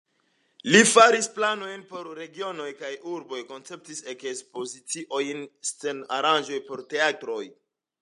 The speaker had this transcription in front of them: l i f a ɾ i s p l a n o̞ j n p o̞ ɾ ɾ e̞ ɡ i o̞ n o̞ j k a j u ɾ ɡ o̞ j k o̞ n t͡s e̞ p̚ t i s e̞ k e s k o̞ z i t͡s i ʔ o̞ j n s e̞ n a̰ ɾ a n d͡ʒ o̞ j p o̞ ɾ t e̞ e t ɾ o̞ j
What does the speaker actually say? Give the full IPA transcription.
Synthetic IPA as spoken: l i f a ɾ i s p l a n o̞ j n p o̞ ɾ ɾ e̞ ɡ i o̞ n o̞ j k a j u ɾ b o̞ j k o̞ n t͡s e̞ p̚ t i s e̞ k e s p o̞ z i t͡s i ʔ o̞ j n s e̞ n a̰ ɾ a n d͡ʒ o̞ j p o̞ ɾ t e̞ a t ɾ o̞ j